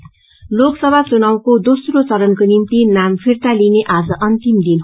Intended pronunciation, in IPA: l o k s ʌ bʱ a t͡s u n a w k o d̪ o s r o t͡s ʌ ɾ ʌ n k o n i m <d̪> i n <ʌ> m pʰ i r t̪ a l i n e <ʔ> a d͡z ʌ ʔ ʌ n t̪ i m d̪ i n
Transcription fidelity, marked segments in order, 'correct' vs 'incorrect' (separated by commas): incorrect, incorrect, correct